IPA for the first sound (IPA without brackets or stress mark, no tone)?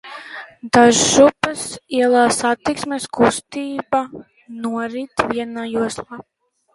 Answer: d̪